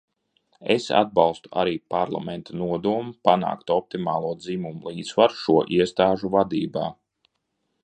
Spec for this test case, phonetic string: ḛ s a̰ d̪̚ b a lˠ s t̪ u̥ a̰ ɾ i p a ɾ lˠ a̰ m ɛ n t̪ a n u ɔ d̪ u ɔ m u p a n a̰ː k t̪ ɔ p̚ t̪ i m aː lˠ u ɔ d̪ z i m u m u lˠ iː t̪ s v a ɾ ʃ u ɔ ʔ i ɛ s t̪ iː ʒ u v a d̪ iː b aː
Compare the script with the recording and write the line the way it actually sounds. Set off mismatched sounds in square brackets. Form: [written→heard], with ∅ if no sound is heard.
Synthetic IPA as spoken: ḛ s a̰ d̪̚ b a lˠ s t̪ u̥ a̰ ɾ [i→iː] p a ɾ lˠ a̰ m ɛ n t̪ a n u ɔ d̪ u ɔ m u p a n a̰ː k t̪ ɔ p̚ t̪ i m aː lˠ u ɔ d̪ z i m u m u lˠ iː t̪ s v a ɾ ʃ u ɔ ʔ i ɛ s t̪ [iː→aː] ʒ u v a d̪ iː b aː